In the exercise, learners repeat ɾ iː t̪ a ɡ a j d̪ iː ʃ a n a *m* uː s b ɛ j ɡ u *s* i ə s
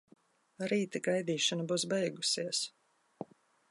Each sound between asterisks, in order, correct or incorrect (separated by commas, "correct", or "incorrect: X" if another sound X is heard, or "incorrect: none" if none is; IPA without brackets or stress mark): incorrect: b, correct